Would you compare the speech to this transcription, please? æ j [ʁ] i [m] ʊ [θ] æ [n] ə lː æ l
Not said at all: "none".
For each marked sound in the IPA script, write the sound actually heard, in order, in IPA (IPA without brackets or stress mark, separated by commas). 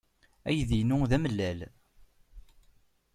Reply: ð, n, ð, m